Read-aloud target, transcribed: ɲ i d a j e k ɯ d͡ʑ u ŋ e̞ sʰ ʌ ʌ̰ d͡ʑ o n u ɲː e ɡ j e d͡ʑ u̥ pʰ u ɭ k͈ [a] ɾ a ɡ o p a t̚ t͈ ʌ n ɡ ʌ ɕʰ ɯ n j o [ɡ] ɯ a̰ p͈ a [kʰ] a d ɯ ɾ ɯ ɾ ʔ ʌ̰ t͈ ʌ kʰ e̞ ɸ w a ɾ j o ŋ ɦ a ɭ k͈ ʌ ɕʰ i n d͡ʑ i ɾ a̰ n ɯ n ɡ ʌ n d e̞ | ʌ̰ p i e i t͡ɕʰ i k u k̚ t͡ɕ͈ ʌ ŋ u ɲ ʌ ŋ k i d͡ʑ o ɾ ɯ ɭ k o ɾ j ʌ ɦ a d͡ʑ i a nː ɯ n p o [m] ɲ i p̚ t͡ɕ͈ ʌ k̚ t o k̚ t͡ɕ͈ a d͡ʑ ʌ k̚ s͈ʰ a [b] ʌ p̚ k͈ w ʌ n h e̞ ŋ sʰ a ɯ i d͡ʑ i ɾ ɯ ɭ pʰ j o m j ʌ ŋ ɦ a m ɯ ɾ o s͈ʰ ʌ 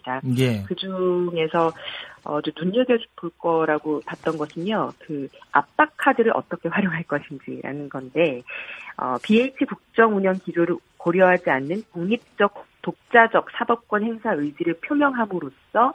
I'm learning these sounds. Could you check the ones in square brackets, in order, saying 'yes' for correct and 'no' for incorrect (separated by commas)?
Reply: no, no, yes, no, yes